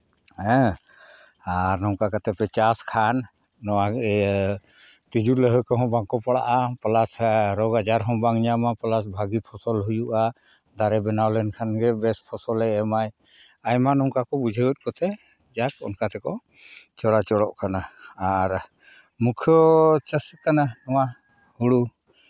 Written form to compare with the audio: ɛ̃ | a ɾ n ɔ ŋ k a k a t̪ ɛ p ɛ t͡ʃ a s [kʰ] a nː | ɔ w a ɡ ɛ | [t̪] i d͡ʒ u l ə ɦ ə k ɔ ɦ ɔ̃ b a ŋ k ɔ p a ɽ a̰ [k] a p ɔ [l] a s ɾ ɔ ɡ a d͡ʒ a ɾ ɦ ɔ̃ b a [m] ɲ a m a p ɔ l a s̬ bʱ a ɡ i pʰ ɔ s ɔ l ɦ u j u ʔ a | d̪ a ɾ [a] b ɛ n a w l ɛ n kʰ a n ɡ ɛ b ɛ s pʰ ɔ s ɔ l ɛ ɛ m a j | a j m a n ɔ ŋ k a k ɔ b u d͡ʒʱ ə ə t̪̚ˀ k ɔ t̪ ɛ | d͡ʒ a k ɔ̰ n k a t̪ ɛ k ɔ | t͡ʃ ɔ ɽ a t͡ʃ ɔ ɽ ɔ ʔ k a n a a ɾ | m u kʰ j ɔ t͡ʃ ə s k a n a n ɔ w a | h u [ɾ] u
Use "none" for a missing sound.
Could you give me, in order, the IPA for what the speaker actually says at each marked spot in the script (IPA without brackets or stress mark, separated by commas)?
kʰ, t̪, ʔ, l, ŋ, ɛ, ɽ